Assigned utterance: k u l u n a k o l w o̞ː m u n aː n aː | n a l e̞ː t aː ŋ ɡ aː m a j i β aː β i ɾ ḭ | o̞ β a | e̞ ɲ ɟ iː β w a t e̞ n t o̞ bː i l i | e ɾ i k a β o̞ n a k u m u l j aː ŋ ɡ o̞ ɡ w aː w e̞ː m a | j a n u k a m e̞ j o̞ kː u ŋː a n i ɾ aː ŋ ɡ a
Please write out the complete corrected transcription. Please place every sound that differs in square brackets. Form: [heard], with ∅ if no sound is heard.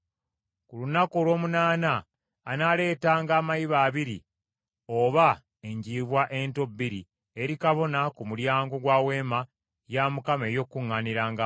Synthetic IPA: k u l u n a k o l w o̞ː m u n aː n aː | n a l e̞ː t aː ŋ ɡ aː m a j i β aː β i ɾ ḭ | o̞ β a | e̞ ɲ ɟ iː β w a [ʔ] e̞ n t o̞ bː i [ɾ] i | e ɾ i k a β o̞ n a k u m u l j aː ŋ ɡ o̞ ɡ w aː w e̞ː m a | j a [m] u k a m e̞ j o̞ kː u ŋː a n i ɾ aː ŋ ɡ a